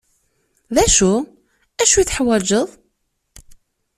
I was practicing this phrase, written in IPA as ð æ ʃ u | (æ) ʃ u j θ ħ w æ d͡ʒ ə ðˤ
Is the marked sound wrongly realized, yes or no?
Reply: no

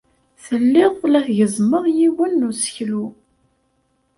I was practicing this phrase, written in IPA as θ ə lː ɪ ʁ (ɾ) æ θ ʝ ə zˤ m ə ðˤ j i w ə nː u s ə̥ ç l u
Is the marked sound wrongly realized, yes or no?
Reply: yes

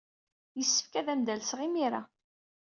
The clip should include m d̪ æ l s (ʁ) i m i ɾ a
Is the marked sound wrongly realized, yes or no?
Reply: no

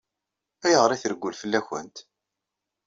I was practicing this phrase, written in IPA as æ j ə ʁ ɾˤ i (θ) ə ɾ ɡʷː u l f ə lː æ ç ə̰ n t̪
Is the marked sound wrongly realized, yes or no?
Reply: no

